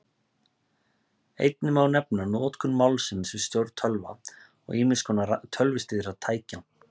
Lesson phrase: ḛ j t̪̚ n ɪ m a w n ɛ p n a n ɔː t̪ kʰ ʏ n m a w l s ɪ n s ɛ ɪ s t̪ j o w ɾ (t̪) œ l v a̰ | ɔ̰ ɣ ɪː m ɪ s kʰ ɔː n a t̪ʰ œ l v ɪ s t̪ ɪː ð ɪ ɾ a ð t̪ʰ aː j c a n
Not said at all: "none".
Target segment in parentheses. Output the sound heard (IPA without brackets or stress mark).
t̪ʰ